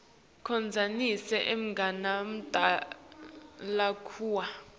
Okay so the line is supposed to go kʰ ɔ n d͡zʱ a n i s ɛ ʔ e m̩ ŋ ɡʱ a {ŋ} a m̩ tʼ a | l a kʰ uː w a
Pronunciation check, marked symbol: incorrect: n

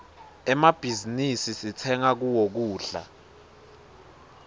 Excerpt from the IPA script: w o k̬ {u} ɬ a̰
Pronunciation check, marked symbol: incorrect: uː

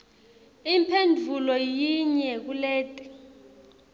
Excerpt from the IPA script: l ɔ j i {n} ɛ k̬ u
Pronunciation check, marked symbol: incorrect: ɲ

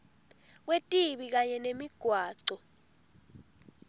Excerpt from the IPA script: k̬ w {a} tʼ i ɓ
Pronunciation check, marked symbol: incorrect: e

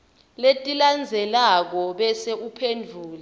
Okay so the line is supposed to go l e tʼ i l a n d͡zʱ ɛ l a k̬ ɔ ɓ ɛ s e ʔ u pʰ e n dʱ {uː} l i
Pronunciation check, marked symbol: correct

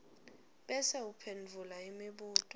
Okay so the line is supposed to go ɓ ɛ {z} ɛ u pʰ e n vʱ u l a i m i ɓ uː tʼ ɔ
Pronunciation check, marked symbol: incorrect: s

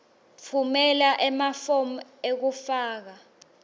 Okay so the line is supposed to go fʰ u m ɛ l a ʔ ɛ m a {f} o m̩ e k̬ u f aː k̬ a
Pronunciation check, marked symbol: correct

